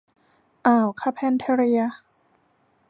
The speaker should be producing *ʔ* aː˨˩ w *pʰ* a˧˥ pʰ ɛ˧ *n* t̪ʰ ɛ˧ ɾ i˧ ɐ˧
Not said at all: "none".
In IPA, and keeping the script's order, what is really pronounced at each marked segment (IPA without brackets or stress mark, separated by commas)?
ʔ, kʰ, n